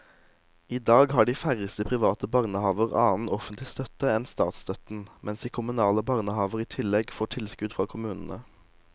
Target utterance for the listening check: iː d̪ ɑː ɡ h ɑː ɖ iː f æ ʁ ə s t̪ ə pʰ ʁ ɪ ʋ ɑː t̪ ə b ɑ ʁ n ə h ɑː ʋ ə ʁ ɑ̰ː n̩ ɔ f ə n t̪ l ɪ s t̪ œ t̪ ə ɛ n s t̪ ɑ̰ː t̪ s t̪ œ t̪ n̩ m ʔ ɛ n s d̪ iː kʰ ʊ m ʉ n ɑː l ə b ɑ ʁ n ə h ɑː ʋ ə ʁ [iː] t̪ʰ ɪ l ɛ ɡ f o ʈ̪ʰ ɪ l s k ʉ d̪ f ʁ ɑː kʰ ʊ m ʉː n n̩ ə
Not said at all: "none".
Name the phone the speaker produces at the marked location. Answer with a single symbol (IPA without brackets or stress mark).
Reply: iː